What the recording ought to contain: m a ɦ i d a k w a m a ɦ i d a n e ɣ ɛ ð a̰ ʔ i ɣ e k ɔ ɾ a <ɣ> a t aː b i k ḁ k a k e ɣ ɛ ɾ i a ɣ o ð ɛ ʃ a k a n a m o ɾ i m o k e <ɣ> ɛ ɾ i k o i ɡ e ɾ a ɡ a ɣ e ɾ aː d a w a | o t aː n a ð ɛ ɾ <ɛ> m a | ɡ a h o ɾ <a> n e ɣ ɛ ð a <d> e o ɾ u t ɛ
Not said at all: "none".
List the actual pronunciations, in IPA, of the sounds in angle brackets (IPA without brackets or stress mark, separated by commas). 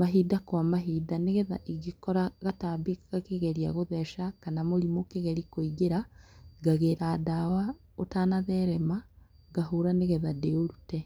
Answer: ɣ, ɣ, ɛ, a, d